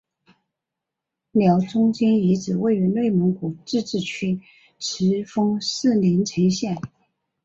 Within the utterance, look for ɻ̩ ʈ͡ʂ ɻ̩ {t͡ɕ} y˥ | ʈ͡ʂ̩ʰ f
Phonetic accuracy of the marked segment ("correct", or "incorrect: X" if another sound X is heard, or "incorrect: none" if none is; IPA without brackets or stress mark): incorrect: t͡ɕʰ